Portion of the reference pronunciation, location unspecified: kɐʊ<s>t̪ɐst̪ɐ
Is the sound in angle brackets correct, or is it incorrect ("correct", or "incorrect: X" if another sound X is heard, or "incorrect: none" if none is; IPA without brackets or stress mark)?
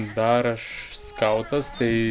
incorrect: none